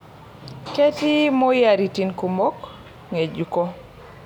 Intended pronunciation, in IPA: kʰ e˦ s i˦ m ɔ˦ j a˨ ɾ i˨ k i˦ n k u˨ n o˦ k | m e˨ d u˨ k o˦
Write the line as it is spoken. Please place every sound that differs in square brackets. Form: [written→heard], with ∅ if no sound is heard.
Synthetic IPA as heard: [kʰ→k] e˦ [s→t] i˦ m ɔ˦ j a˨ ɾ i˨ [k→t] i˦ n k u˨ [n→m] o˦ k | [m→ŋ] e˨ [d→d͡ʒ] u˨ k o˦